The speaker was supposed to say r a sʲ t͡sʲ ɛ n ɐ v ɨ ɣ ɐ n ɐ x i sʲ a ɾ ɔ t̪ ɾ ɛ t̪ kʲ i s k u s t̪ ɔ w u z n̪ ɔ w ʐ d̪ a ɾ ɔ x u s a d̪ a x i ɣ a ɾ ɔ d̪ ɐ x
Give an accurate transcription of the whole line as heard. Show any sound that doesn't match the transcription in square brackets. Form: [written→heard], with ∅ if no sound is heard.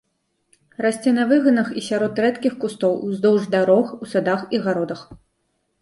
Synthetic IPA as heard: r a sʲ t͡sʲ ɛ n ɐ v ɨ ɣ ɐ n ɐ x i sʲ a ɾ ɔ t̪ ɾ ɛ t̪ kʲ i [s→x] k u s t̪ ɔ w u z [n̪→d̪] ɔ w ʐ d̪ a ɾ ɔ x u s a d̪ a x i ɣ a ɾ ɔ d̪ ɐ x